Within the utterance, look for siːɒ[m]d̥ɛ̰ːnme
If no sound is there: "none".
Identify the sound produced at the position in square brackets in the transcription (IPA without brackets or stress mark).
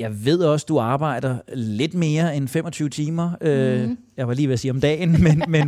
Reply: m